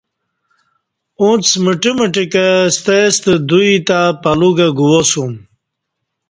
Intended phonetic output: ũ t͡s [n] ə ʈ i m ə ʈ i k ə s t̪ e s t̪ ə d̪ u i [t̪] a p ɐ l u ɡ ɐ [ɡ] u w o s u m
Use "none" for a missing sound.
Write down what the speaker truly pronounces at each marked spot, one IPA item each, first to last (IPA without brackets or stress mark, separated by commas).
m, t̪, ɡ